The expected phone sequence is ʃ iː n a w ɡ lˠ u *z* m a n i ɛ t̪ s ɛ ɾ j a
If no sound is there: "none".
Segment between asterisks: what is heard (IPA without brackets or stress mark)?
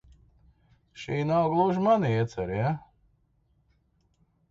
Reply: ʒ